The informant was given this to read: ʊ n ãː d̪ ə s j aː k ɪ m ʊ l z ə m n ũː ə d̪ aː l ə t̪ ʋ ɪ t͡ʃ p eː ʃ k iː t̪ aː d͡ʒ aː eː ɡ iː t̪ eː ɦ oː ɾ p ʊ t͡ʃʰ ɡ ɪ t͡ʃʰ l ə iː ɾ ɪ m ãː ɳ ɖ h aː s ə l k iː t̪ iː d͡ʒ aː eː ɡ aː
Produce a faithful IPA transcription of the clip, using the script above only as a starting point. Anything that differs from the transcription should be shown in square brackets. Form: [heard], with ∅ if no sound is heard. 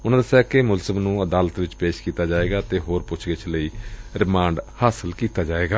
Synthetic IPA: ʊ n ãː d̪ ə s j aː k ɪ m ʊ l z ə m n ũː ə d̪ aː l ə t̪ ʋ ɪ t͡ʃ p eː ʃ k iː t̪ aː d͡ʒ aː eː ɡ [aː] t̪ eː ɦ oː ɾ p ʊ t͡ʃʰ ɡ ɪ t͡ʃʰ l ə iː ɾ ɪ m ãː ɳ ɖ h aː s ə l k iː t̪ [aː] d͡ʒ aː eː ɡ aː